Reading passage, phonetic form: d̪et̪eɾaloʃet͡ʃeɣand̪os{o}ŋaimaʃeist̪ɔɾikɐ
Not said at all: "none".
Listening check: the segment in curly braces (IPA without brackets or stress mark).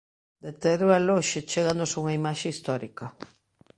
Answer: u